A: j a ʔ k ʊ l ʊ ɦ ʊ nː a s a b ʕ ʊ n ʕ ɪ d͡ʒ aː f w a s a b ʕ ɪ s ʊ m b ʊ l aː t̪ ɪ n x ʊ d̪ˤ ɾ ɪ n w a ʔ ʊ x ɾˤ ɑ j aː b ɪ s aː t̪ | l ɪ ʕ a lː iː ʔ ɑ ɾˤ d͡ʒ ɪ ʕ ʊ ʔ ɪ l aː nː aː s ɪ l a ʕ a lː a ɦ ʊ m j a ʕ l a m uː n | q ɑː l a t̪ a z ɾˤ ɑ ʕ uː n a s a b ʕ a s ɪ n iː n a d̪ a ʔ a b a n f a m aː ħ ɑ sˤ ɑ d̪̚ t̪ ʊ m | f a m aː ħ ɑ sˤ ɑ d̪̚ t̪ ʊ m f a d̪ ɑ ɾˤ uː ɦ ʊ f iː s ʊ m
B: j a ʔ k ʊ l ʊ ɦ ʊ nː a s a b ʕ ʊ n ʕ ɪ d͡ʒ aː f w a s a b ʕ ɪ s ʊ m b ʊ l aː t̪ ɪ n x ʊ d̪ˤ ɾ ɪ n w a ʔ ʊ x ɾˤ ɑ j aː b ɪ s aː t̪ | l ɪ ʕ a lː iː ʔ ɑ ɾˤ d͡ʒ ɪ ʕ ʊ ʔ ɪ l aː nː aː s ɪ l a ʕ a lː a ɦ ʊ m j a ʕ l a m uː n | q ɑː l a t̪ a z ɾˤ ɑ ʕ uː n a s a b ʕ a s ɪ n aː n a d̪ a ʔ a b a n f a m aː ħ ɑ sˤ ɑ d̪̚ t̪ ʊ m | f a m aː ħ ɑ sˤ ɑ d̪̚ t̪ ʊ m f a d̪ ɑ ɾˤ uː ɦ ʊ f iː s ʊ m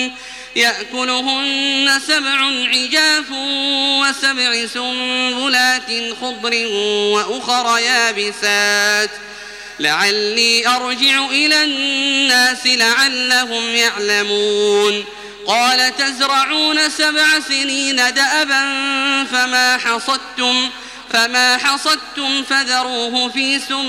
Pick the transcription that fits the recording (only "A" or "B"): A